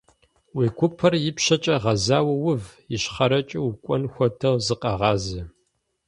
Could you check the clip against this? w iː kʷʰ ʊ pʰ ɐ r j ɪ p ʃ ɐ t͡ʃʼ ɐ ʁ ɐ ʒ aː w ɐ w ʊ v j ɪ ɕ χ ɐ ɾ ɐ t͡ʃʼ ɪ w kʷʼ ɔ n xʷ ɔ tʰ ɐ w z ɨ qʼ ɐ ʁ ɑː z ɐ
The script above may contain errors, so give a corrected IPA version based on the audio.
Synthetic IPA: w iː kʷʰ ʊ pʰ ɐ r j ɪ p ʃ ɐ t͡ʃʼ ɐ ʁ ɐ z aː w ɐ w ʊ v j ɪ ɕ χ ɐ ɾ ɐ t͡ʃʼ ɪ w kʷʼ ɔ n xʷ ɔ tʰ ɐ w z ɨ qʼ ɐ ʁ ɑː z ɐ